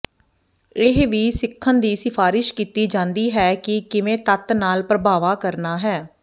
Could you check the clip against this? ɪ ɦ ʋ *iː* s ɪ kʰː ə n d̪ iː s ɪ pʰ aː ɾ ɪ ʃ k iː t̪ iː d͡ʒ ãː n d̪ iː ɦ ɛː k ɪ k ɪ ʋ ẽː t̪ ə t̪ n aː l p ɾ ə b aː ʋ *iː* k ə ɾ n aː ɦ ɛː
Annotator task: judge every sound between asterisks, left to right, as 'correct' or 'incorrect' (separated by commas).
correct, incorrect